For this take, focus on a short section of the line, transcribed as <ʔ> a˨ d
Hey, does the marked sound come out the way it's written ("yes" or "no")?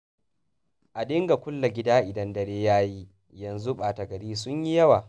yes